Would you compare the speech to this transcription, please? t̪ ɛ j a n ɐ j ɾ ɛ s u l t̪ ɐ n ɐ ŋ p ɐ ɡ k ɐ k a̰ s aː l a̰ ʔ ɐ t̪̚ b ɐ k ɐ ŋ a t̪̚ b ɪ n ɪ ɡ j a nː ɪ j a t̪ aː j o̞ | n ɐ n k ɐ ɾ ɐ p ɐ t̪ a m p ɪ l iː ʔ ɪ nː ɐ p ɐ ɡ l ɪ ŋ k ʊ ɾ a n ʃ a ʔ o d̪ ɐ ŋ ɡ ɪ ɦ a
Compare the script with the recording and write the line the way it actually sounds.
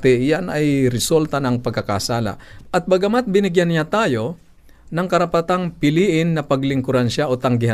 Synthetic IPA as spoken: t̪ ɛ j a n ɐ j ɾ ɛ s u l t̪ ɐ n ɐ ŋ p ɐ ɡ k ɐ k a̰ s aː l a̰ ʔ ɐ t̪̚ b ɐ ɡ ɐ m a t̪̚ b ɪ n ɪ ɡ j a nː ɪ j a t̪ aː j o̞ | n ɐ ŋ k ɐ ɾ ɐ p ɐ t̪ a ŋ p ɪ l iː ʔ ɪ nː ɐ p ɐ ɡ l ɪ ŋ k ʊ ɾ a n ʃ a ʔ o t̪ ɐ ŋ ɡ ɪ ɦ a